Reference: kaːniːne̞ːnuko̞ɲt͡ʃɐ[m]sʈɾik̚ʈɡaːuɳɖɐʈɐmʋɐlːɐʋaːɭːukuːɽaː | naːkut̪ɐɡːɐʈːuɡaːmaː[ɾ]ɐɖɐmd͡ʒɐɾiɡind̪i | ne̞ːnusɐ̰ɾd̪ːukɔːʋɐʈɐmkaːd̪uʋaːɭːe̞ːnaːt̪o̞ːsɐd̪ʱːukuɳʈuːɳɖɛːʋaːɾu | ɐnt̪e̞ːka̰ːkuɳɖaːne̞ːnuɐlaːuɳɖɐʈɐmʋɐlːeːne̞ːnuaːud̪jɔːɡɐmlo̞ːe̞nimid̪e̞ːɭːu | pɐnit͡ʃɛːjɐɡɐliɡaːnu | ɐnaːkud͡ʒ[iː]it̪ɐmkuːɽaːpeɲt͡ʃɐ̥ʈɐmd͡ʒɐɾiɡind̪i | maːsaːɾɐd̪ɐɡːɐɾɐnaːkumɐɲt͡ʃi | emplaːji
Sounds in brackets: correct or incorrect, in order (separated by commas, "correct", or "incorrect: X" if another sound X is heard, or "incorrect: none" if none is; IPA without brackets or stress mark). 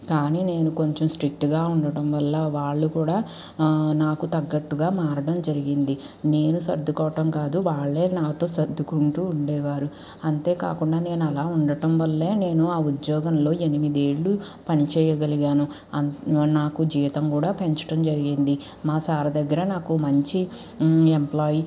correct, correct, correct